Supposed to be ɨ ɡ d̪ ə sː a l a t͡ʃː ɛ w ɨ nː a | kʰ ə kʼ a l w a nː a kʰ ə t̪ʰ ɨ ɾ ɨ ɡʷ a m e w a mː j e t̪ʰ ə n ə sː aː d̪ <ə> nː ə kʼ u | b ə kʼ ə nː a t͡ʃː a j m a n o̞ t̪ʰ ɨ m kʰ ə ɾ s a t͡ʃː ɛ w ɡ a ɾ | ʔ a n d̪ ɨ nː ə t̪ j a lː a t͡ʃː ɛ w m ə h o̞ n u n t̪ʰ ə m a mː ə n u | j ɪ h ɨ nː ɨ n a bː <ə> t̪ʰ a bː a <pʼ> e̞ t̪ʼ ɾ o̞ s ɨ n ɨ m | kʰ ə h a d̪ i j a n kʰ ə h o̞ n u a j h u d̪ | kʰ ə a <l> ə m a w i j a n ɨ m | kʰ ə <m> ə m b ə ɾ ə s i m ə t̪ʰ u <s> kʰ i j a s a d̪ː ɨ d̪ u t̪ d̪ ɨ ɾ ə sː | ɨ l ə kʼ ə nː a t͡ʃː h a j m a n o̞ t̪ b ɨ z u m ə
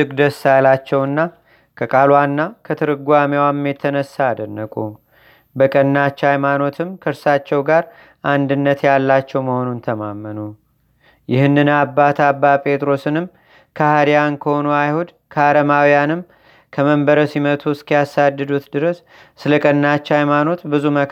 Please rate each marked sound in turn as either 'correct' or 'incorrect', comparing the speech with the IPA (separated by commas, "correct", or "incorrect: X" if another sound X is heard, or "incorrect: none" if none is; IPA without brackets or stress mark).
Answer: correct, incorrect: a, correct, incorrect: ɾ, correct, correct